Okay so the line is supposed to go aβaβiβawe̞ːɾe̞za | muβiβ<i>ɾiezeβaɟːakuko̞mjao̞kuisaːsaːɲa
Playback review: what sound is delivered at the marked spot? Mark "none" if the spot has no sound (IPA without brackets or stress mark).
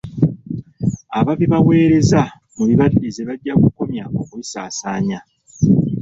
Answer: a